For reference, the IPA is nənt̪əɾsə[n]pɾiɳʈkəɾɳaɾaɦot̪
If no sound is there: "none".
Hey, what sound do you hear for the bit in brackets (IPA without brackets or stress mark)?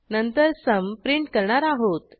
m